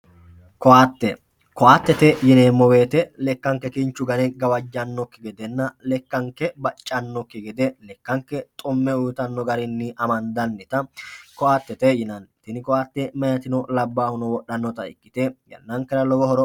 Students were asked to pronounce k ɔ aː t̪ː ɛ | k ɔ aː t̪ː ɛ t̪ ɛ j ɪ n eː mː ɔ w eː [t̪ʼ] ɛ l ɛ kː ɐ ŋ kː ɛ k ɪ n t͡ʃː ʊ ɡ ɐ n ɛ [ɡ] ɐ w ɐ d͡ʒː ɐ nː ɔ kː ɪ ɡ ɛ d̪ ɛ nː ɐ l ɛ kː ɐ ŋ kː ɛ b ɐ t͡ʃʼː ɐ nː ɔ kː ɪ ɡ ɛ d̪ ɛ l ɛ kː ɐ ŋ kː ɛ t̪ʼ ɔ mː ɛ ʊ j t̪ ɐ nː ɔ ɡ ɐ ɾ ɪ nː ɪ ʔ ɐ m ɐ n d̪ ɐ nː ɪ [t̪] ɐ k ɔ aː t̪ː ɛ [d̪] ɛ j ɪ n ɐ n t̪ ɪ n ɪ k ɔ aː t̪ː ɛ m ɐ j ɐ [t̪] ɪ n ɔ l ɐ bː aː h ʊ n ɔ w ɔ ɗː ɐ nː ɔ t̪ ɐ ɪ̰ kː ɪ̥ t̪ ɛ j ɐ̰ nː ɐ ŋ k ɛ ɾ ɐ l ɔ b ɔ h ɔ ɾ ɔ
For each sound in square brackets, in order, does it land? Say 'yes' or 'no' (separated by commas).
no, yes, yes, no, yes